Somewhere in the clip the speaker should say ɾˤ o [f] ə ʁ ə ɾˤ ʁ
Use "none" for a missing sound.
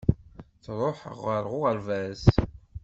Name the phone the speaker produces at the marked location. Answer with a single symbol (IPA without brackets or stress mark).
ħ